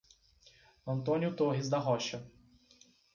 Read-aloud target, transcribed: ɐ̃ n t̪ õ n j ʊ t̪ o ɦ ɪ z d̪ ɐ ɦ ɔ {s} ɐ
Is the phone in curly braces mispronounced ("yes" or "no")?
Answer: yes